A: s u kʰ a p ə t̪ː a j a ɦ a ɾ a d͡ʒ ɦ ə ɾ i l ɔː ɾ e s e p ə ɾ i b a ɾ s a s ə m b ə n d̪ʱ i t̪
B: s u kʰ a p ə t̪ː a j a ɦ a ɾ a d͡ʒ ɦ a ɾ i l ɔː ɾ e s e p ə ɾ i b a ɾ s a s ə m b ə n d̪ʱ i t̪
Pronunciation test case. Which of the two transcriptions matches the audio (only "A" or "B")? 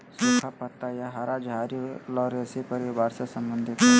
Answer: B